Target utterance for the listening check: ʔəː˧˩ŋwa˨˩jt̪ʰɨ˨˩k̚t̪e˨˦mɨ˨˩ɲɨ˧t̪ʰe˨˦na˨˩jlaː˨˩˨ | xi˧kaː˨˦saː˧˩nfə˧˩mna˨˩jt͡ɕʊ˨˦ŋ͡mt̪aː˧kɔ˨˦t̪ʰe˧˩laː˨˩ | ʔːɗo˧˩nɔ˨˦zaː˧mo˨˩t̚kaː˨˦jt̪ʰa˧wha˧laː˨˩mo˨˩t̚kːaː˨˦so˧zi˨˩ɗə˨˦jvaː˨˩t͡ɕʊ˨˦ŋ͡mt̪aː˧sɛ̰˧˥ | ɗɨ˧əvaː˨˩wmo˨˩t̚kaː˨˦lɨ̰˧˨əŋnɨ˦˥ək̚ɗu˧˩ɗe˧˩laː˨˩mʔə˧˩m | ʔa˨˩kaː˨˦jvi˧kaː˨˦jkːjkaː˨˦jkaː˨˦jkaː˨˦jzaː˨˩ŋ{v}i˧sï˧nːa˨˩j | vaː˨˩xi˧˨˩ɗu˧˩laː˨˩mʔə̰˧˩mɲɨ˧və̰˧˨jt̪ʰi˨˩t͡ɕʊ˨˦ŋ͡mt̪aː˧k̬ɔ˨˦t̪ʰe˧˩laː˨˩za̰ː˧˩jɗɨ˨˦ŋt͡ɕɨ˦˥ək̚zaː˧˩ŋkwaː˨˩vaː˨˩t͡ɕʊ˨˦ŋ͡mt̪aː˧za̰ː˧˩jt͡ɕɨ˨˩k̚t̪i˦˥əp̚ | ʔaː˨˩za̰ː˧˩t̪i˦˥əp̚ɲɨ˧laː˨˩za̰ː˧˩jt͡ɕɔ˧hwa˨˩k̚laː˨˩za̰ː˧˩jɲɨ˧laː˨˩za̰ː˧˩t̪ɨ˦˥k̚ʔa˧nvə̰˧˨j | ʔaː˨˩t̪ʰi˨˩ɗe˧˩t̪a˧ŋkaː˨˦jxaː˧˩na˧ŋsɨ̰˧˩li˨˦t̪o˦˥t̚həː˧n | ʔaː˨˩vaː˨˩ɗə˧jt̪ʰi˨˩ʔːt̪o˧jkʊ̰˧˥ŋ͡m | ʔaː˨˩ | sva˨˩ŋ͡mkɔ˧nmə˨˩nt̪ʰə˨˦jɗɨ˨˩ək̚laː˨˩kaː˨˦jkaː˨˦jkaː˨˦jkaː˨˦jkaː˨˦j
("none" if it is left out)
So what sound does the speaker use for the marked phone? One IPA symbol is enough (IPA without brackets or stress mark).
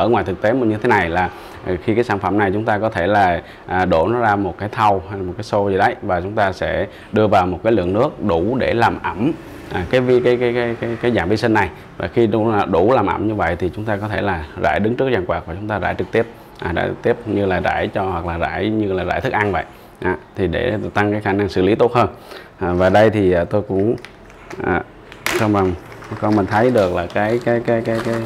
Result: v